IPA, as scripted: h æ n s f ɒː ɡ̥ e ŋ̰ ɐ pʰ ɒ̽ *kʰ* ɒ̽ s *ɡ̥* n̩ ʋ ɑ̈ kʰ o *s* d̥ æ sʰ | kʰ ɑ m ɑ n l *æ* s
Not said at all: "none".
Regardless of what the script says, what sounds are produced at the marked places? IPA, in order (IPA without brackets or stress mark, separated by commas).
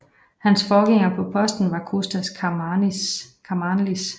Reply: pʰ, d̥, s, i